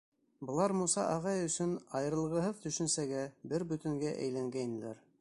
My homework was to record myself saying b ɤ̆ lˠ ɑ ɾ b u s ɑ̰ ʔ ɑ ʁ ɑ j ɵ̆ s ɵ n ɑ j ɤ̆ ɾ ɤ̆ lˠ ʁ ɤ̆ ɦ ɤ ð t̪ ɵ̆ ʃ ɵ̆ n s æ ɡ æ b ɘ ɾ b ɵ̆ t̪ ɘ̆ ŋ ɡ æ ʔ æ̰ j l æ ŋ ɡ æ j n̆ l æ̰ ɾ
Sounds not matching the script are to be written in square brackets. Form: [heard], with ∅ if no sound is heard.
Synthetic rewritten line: b ɤ̆ lˠ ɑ ɾ [m] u s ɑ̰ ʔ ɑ ʁ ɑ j ɵ̆ s ɵ n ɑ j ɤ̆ ɾ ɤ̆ lˠ ʁ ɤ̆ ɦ ɤ ð t̪ ɵ̆ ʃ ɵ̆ n s æ ɡ æ b ɘ ɾ b ɵ̆ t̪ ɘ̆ ŋ ɡ æ ʔ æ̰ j l æ ŋ ɡ æ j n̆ l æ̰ ɾ